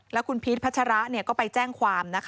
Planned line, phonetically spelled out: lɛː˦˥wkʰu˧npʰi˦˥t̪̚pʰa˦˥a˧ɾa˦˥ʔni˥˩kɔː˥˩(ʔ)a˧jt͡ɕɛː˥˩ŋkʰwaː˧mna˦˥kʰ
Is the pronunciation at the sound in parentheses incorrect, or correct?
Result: incorrect